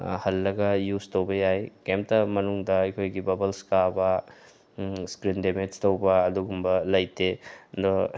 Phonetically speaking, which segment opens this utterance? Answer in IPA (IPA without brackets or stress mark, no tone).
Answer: h